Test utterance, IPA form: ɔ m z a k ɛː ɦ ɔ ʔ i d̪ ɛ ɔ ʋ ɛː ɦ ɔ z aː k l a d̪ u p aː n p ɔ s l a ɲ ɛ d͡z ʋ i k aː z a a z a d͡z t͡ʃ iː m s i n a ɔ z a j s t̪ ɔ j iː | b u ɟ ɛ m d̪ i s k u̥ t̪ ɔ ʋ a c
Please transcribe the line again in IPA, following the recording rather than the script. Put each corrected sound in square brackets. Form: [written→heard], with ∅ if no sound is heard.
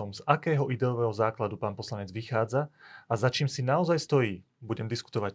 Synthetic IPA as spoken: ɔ m z a k ɛː ɦ ɔ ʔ i d̪ ɛ ɔ ʋ ɛː ɦ ɔ z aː k l a d̪ u p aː n p ɔ s l a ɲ ɛ d͡z ʋ i [k→x] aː [z→d͡z] a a z a [d͡z→∅] t͡ʃ iː m s i n a ɔ z a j s t̪ ɔ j iː | b u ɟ ɛ m d̪ i s k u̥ t̪ ɔ ʋ a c